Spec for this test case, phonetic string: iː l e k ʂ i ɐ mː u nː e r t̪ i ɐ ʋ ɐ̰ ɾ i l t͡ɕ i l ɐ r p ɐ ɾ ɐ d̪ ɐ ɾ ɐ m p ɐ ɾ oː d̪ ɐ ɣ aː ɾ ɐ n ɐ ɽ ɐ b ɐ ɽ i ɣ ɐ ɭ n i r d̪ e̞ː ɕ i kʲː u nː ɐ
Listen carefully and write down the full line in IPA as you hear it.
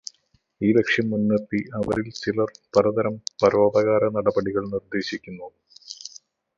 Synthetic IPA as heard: iː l e k ʂ j ɐ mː u nː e r t̪ i ɐ ʋ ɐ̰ ɾ i l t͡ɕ i l ɐ r p ɐ ɾ ɐ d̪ ɐ ɾ ɐ m p ɐ ɾ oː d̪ ɐ ɣ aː ɾ ɐ n ɐ ɽ ɐ b ɐ ɽ i ɣ ɐ ɭ n i r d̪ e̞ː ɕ i kʲː u nː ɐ